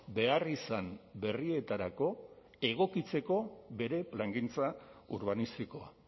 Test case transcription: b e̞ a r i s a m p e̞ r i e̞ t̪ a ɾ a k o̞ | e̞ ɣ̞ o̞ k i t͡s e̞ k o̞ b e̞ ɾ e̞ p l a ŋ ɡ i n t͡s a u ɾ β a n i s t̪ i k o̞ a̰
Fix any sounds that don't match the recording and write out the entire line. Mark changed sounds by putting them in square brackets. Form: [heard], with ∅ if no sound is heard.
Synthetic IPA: b e̞ a r i s a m [b] e̞ r i e̞ t̪ a ɾ a k o̞ | e̞ ɣ̞ o̞ k i t͡s e̞ k o̞ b e̞ ɾ e̞ p l a ŋ ɡ i n t͡s a u ɾ β a n i s t̪ i k o̞ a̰

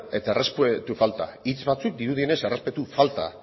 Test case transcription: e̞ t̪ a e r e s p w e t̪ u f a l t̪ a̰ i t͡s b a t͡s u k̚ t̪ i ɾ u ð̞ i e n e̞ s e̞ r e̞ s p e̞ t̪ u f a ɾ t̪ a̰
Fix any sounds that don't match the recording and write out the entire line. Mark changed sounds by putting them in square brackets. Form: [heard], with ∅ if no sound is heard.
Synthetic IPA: e̞ t̪ a e r e s p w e t̪ u f a l t̪ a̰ i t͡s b a t͡s u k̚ [d̪] i ɾ u ð̞ i e n e̞ s e̞ r e̞ s p e̞ t̪ u f a [l] t̪ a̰

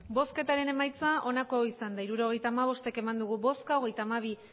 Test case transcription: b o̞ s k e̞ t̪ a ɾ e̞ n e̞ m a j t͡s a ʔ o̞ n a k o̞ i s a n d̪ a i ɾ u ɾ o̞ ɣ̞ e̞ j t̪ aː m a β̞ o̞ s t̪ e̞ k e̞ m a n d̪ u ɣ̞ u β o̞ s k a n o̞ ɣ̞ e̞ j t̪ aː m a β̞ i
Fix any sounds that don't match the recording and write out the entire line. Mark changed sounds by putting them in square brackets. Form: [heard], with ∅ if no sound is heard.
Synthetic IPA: b o̞ s k e̞ t̪ a ɾ e̞ n e̞ m a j t͡s a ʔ o̞ n a k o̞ i s a n d̪ a i ɾ u ɾ o̞ ɣ̞ e̞ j t̪ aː m a β̞ o̞ s t̪ e̞ k e̞ m a n d̪ u ɣ̞ u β o̞ s k a [∅] o̞ ɣ̞ e̞ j t̪ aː m a β̞ i

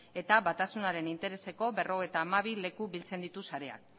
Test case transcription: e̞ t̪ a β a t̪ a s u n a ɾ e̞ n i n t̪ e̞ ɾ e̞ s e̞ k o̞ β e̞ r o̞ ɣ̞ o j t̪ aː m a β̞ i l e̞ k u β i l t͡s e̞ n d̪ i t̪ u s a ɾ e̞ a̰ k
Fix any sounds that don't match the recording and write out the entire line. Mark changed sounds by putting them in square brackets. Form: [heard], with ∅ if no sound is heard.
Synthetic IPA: e̞ t̪ a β a t̪ a s u n a ɾ e̞ n i n t̪ e̞ ɾ e̞ s e̞ k o̞ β e̞ r o̞ ɣ̞ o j t̪ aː m a β̞ i l e̞ k u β i l t͡s e̞ n d̪ i t̪ u s a ɾ e̞ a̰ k

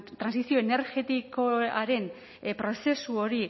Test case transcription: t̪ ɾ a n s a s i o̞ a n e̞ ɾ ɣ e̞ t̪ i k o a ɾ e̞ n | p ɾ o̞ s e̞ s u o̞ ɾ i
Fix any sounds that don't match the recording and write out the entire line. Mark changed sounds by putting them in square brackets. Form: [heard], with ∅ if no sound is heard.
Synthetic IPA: t̪ ɾ a n s [i] s i o̞ [e] n e̞ ɾ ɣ e̞ t̪ i k o a ɾ e̞ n | p ɾ o̞ s e̞ s u o̞ ɾ i

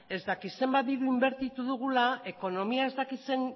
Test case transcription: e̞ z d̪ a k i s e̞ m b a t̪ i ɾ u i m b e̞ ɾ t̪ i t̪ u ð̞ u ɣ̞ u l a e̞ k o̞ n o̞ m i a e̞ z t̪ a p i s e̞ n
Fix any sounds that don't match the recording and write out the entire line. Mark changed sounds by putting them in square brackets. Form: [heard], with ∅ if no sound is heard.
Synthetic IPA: e̞ z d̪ a k i s e̞ m b a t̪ i ɾ u i m b e̞ ɾ t̪ i t̪ u ð̞ u ɣ̞ u l a e̞ k o̞ n o̞ m i a e̞ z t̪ a [k] i s e̞ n

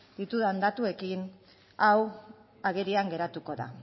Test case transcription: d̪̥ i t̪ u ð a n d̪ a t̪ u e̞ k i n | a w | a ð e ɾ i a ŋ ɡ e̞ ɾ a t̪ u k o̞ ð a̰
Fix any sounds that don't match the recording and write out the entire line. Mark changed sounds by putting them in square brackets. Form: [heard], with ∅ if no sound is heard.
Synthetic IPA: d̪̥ i t̪ u ð a n d̪ a t̪ u e̞ k i n | a w | a [ɣ] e ɾ i a ŋ ɡ e̞ ɾ a t̪ u k o̞ ð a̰

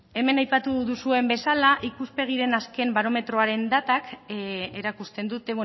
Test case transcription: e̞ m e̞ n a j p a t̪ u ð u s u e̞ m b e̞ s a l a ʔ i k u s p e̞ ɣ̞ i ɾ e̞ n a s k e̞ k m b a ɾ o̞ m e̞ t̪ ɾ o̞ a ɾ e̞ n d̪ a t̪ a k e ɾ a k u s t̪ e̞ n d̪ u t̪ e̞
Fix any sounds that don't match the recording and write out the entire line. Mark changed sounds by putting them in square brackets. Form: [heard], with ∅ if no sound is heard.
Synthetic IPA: e̞ m e̞ n a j p a t̪ u ð u s u e̞ m b e̞ s a l a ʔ i k u s p e̞ ɣ̞ i ɾ e̞ n a s k e̞ [∅] m b a ɾ o̞ m e̞ t̪ ɾ o̞ a ɾ e̞ n d̪ a t̪ a k e ɾ a k u s t̪ e̞ n d̪ u t̪ e̞

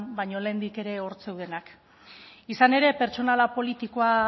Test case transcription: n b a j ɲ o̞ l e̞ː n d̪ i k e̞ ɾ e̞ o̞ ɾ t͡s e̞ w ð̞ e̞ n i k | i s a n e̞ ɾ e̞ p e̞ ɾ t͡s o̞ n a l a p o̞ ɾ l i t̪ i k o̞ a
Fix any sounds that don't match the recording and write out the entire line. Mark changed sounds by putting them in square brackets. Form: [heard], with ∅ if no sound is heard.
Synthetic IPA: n b a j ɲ o̞ l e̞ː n d̪ i k e̞ ɾ e̞ o̞ ɾ t͡s e̞ w ð̞ e̞ n [a] k | i s a n e̞ ɾ e̞ p e̞ ɾ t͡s o̞ n a l a p o̞ [∅] l i t̪ i k o̞ a

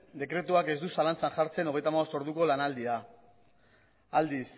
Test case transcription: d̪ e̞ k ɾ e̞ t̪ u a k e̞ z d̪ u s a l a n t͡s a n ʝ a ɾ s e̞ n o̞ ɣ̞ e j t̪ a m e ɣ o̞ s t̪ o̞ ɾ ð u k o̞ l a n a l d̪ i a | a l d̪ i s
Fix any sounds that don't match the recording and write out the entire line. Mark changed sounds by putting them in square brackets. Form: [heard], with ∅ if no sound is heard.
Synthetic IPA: d̪ e̞ k ɾ e̞ t̪ u a k e̞ z d̪ u s a l a n t͡s a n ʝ a ɾ [t͡s] e̞ n o̞ ɣ̞ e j t̪ a m [a] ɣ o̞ s t̪ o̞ ɾ ð u k o̞ l a n a l d̪ i a | a l d̪ i s

